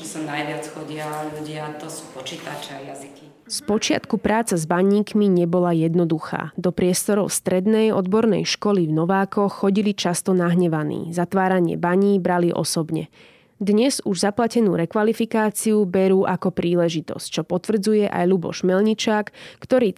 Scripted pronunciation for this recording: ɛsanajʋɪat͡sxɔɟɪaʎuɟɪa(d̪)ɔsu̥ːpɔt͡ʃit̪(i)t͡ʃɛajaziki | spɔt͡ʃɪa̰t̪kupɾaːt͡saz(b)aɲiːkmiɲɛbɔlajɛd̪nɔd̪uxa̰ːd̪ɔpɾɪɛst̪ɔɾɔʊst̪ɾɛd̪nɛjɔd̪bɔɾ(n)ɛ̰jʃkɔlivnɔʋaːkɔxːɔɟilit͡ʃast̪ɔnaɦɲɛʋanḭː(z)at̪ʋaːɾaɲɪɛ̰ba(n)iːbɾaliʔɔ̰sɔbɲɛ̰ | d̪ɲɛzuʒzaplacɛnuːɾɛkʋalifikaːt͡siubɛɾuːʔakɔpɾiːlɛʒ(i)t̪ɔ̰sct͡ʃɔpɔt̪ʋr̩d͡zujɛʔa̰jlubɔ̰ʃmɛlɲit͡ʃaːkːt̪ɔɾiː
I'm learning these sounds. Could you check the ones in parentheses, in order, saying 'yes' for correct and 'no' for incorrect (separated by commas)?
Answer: no, no, yes, yes, yes, no, yes